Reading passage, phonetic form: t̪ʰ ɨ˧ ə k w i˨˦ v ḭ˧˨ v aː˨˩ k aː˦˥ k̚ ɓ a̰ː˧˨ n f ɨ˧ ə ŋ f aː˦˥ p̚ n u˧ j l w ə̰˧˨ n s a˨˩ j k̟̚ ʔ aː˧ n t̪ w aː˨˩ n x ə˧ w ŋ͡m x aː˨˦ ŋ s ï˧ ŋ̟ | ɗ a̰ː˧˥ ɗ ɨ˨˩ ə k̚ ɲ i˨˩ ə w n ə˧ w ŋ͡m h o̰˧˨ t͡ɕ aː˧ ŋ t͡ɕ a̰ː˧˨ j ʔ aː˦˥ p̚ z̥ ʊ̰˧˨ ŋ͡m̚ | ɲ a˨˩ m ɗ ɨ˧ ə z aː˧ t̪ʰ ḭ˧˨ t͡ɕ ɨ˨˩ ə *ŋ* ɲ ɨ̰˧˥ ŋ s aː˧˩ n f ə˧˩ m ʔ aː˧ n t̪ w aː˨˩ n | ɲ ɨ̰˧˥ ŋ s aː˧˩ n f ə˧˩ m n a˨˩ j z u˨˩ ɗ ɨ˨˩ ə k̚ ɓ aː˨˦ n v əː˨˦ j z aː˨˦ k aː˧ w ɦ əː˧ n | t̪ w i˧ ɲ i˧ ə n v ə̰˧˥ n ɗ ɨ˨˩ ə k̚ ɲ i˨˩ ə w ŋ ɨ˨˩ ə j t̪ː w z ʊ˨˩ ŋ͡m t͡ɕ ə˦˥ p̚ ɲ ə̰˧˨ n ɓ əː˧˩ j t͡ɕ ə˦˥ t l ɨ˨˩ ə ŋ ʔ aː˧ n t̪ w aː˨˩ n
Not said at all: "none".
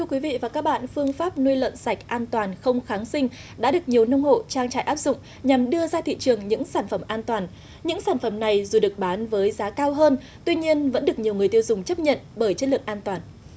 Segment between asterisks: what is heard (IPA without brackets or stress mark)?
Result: ŋ